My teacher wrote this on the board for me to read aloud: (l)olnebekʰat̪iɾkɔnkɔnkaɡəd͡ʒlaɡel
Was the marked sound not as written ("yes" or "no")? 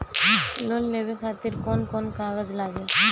no